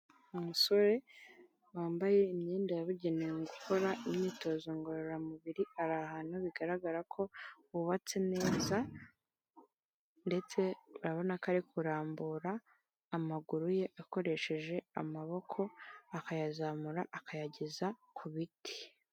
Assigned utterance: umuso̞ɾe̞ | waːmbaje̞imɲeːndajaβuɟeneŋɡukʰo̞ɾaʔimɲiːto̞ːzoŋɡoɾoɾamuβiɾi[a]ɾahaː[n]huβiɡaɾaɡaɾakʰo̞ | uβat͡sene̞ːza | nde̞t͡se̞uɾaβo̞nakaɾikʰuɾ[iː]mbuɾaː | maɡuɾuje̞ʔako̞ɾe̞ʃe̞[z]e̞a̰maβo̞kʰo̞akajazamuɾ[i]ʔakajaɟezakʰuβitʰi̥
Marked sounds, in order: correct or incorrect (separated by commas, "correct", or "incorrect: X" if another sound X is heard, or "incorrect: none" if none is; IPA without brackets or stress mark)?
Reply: correct, correct, incorrect: aː, incorrect: ʒ, incorrect: a